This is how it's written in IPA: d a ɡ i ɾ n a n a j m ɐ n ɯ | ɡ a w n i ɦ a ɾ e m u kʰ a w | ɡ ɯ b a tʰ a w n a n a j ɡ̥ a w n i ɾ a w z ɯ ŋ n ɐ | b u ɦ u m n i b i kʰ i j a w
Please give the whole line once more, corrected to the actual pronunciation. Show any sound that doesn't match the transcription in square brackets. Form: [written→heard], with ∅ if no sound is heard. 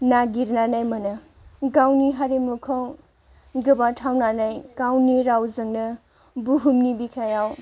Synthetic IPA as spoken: [d→n] a ɡ i ɾ n a n a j m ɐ n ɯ | ɡ a w n i ɦ a ɾ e m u kʰ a w | ɡ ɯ b a tʰ a w n a n a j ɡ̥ a w n i ɾ a w z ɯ ŋ n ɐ | b u ɦ u m n i b i kʰ [i→a] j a w

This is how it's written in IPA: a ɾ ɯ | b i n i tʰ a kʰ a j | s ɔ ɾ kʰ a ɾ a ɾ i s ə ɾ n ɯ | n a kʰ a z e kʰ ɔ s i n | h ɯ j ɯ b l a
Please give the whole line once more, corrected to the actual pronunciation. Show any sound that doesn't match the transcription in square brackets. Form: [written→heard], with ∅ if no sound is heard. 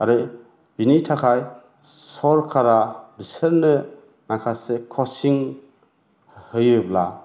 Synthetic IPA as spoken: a ɾ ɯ | b i n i tʰ a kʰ a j | s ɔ ɾ kʰ a ɾ a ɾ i s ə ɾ n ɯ | n a kʰ a [z→s] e kʰ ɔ s i [n→ŋ] | h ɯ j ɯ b l a

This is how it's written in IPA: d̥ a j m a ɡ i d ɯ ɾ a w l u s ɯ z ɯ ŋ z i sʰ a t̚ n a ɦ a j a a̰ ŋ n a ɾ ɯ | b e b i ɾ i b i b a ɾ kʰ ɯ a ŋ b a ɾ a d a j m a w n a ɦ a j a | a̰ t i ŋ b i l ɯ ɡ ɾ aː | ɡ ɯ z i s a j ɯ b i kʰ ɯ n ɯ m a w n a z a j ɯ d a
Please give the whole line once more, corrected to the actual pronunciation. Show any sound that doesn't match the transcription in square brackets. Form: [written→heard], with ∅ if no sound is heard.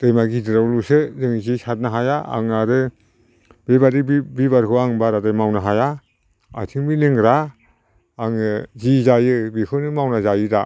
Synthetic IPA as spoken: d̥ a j m a ɡ i d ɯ ɾ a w l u s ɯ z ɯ ŋ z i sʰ a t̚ n a ɦ a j a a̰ ŋ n a ɾ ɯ | b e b [i→a] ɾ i b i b a ɾ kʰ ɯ a ŋ b a ɾ a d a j m a w n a ɦ a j a | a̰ [t→tʰ] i ŋ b i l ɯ [ɡ→ŋ] ɾ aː | [ɡ→ŋ] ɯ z i [s→z] a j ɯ b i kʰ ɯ n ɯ m a w n a z a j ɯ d a

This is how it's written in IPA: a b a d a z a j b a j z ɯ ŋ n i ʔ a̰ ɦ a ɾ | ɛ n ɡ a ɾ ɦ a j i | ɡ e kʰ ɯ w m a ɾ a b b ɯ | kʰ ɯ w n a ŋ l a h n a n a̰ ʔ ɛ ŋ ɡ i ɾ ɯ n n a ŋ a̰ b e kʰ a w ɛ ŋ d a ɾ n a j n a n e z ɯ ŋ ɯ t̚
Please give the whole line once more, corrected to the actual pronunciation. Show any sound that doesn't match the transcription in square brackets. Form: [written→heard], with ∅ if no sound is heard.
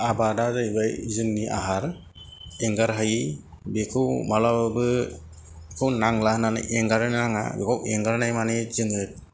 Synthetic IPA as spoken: a b a d a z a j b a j z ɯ ŋ n i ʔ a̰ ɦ a ɾ | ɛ [n→ŋ] ɡ a ɾ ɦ a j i | [ɡ→b] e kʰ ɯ w m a [ɾ→l] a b b ɯ | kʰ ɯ w n a ŋ l a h n a n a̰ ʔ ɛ ŋ ɡ [i→a] ɾ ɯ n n a ŋ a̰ b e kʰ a w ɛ ŋ [d→ɡ] a ɾ n a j [n→m] a n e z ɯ ŋ ɯ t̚

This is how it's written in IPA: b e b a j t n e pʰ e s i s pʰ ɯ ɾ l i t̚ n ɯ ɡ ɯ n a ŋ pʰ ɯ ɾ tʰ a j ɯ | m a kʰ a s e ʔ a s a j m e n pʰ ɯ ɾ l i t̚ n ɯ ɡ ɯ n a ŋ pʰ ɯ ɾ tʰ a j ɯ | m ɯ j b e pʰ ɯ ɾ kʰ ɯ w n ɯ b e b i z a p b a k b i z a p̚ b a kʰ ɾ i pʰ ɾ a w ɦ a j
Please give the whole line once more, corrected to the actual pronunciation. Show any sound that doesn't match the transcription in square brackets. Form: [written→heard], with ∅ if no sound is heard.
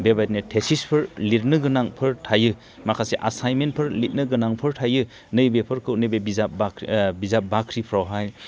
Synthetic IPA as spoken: b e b a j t n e [pʰ→tʰ] e s i s pʰ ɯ ɾ l i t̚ n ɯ ɡ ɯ n a ŋ pʰ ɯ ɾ tʰ a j ɯ | m a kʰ a s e ʔ a s a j m e n pʰ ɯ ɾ l i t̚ n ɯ ɡ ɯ n a ŋ pʰ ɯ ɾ tʰ a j ɯ | [m→n] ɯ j b e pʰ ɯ ɾ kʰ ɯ w n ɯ b e b i z a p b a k b i z a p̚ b a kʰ ɾ i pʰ ɾ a w ɦ a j

